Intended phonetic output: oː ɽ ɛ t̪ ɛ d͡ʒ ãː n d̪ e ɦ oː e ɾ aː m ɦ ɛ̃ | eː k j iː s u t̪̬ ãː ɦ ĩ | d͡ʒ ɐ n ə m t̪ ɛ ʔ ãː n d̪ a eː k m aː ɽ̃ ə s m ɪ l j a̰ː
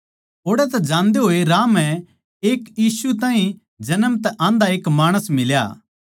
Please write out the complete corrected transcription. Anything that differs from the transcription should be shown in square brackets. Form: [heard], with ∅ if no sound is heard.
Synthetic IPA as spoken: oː ɽ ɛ t̪ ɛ d͡ʒ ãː n d̪ e ɦ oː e ɾ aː m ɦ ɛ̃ | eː k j iː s u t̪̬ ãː ɦ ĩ | d͡ʒ ɐ n ə m t̪ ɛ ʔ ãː n d̪ a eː k m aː ɽ̃ ə s m ɪ l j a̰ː

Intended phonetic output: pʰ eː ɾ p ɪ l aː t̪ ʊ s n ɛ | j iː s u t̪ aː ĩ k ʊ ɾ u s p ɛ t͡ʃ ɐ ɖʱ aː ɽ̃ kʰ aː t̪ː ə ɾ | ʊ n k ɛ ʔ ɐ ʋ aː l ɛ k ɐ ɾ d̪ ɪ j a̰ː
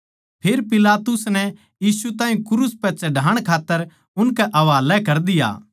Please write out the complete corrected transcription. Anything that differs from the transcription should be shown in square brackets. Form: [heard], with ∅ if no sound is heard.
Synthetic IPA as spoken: pʰ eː ɾ p ɪ l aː t̪ ʊ s n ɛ | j iː s u t̪ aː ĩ k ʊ ɾ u s p ɛ t͡ʃ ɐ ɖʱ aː ɽ̃ kʰ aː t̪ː ə ɾ | ʊ n k ɛ ʔ ɐ ʋ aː l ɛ k ɐ ɾ d̪ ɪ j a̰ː

